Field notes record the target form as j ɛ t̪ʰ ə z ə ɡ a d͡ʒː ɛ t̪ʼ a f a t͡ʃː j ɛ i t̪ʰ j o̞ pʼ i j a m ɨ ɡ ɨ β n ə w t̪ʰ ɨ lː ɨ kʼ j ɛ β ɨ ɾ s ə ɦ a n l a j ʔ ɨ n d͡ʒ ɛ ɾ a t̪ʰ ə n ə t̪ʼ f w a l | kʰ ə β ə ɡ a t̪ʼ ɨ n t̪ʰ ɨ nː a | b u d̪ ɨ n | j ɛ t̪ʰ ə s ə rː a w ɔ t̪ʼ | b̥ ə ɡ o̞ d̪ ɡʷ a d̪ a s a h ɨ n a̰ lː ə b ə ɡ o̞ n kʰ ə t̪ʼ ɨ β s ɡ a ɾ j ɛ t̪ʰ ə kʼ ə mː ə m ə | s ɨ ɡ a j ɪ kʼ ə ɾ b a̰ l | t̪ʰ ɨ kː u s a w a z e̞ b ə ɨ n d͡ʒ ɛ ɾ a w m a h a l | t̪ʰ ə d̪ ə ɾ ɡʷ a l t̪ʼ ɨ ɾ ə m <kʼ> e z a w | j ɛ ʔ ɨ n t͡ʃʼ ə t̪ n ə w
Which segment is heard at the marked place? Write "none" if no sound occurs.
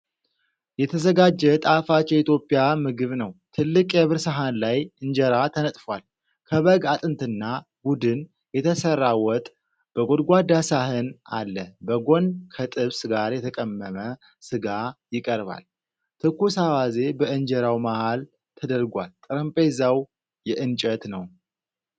pʼ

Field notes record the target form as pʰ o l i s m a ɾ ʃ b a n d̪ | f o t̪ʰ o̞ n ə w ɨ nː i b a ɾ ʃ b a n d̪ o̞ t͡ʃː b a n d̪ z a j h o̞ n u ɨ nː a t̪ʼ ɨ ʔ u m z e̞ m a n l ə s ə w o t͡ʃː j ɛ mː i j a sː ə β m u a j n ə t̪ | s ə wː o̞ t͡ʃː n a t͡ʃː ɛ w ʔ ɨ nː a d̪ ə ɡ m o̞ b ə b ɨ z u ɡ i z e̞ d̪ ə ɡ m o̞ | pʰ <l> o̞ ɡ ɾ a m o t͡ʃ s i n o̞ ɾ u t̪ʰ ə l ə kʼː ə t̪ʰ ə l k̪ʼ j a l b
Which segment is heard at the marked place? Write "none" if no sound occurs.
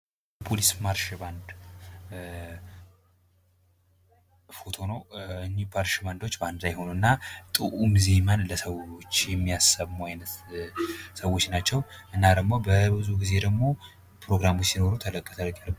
ɾ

